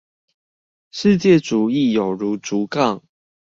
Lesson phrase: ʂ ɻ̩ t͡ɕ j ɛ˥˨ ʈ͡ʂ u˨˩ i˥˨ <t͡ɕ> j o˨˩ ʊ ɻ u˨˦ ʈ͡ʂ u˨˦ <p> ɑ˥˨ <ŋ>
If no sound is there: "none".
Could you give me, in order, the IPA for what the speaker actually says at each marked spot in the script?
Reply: none, k, ŋ

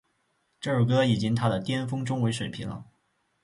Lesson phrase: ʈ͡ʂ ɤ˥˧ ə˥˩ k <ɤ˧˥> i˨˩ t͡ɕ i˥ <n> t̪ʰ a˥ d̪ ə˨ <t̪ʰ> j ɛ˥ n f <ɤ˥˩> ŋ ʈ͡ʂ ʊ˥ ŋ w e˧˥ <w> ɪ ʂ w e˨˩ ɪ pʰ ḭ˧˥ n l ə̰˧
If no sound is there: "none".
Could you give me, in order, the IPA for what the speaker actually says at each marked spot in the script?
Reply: ɤ˥, ŋ, t̪, ɤ˥, none

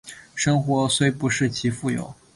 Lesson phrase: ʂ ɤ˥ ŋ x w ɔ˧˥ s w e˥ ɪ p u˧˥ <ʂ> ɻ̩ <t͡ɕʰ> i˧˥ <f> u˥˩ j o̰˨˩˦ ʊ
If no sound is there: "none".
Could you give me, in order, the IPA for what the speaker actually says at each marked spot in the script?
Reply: ʂ, t͡ɕʰ, f

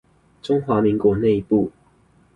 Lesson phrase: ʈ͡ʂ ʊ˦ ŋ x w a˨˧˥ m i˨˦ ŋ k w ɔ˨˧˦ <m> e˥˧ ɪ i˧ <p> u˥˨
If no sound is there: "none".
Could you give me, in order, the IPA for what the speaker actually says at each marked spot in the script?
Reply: n, p

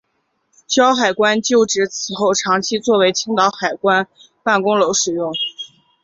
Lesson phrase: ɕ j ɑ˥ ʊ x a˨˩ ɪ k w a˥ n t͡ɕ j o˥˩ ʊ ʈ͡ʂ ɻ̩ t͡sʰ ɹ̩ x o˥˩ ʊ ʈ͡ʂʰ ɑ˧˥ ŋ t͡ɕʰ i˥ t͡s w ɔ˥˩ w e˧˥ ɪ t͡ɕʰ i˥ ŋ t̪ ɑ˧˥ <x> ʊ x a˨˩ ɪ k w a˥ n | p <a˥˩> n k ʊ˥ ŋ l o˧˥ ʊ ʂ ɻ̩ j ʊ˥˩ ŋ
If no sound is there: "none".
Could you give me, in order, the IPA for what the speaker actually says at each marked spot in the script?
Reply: none, a˥˩

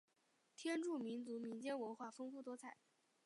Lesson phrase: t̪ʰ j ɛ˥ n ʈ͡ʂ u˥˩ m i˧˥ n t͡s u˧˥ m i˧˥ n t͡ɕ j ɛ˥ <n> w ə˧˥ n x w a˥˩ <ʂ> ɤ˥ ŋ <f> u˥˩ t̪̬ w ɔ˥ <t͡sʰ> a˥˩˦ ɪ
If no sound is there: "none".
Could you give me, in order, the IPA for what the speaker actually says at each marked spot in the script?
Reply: n, f, f, t͡sʰ

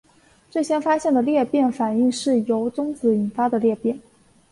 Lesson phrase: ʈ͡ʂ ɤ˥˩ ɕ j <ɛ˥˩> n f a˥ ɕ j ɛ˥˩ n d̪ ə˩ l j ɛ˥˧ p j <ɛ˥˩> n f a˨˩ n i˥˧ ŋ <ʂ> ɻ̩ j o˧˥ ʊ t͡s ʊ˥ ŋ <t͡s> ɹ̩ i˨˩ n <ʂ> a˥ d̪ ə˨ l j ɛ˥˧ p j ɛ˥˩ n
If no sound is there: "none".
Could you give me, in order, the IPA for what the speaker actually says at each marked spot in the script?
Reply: ɛ˥, ɛ˥˩, ʂ, t͡s, f

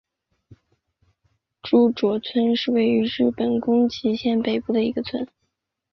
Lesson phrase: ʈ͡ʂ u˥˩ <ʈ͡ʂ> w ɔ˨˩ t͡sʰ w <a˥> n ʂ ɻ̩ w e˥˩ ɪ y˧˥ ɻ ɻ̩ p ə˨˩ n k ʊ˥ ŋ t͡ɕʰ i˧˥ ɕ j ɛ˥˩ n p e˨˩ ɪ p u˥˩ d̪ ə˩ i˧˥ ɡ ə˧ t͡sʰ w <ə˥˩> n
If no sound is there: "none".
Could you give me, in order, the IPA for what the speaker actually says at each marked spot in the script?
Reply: ʈ͡ʂ, ə˥, ə˥

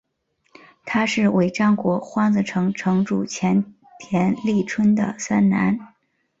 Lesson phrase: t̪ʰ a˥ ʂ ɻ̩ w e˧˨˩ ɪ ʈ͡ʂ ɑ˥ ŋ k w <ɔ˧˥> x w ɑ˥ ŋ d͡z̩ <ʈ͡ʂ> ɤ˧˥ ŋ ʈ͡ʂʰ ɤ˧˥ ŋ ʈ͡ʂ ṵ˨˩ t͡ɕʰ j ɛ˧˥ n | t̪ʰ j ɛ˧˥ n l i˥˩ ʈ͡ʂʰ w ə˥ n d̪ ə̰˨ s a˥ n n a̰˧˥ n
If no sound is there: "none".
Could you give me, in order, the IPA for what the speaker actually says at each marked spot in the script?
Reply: ɔ˧˥, ʈ͡ʂʰ

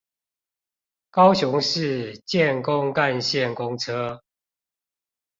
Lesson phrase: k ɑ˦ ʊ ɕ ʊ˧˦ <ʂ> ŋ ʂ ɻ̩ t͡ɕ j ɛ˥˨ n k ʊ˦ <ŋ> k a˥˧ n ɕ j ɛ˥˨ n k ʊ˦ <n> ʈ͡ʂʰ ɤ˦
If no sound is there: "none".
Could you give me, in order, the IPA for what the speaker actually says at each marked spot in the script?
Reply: none, ŋ, ŋ

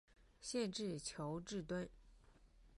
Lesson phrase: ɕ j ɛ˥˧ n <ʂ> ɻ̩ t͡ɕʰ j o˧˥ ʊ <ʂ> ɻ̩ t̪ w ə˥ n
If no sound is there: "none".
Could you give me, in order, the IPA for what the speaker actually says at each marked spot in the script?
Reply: ʈ͡ʂ, ʈ͡ʂ

